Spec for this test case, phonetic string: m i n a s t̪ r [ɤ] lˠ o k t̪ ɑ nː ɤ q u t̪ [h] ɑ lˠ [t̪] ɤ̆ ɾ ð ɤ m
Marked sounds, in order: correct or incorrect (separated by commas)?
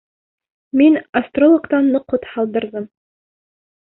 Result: incorrect, correct, incorrect